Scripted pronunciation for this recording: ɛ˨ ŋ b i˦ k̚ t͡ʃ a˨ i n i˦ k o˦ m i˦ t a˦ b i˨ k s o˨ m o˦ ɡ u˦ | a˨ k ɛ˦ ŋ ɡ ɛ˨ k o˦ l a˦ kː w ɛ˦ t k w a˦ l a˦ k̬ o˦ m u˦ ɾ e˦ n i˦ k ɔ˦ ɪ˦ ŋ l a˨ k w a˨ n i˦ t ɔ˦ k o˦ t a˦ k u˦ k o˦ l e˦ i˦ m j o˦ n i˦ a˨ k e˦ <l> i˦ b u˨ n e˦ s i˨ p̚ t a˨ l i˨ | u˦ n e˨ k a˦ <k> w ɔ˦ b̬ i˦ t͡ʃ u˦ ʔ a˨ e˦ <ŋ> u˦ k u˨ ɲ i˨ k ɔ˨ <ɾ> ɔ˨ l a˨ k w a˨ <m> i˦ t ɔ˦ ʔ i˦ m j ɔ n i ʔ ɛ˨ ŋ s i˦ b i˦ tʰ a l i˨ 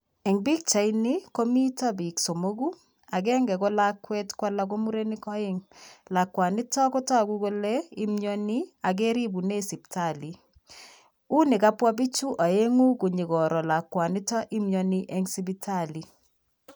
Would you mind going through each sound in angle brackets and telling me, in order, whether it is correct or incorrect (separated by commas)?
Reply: incorrect, incorrect, correct, correct, incorrect